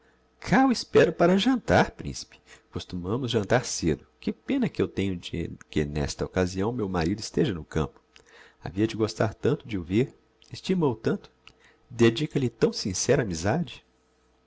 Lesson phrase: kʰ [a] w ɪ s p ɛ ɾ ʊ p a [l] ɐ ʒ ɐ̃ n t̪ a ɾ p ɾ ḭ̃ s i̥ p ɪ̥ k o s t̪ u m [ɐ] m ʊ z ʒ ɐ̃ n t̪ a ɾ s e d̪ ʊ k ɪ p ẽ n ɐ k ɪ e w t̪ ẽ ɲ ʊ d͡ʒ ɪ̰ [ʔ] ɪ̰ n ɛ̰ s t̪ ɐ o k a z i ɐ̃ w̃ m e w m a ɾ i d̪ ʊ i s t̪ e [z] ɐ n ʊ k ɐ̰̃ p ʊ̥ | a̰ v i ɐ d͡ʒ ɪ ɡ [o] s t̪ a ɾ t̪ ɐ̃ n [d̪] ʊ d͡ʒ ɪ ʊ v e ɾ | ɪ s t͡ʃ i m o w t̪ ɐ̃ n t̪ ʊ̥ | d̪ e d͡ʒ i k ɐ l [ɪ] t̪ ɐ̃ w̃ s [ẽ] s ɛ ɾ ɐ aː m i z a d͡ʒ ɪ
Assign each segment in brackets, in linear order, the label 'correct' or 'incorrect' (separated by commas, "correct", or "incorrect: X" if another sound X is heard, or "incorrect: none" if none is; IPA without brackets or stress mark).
correct, incorrect: ɾ, incorrect: ɐ̃, incorrect: k, incorrect: ʒ, correct, incorrect: t̪, correct, incorrect: ĩ